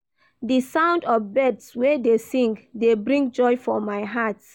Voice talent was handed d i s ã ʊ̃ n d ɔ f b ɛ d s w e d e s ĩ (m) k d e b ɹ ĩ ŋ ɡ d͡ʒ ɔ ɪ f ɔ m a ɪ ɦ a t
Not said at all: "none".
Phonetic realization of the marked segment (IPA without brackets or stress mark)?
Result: ŋ